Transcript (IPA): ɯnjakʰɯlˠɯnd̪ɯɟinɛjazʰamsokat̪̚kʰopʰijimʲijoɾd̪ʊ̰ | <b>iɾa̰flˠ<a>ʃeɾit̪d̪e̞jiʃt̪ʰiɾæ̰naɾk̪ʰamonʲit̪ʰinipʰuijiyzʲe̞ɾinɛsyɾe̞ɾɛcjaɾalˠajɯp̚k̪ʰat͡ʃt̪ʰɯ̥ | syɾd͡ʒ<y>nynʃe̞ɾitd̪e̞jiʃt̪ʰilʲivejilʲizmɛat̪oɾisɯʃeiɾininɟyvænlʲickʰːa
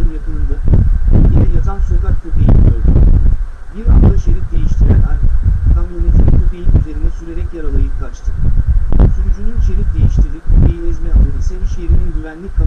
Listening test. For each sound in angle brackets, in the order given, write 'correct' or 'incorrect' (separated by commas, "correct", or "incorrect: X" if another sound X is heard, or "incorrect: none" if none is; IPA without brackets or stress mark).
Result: correct, correct, correct